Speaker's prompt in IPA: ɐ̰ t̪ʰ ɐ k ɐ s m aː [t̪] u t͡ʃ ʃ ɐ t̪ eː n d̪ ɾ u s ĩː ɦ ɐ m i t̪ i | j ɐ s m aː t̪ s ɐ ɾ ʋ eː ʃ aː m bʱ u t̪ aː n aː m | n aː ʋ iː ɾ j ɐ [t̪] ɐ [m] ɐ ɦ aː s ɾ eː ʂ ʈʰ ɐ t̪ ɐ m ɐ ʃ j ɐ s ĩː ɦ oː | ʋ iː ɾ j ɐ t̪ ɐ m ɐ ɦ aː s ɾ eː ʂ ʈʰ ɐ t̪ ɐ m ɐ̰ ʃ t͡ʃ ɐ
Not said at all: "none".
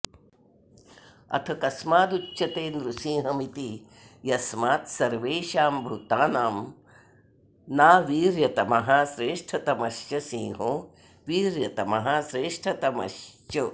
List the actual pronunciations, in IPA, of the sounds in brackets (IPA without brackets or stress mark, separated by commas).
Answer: d̪, t̪, m